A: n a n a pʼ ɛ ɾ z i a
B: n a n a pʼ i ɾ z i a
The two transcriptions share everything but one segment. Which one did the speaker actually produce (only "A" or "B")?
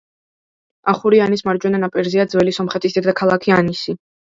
A